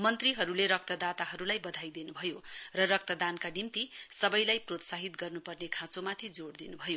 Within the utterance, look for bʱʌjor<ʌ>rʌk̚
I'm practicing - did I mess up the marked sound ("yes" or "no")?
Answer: no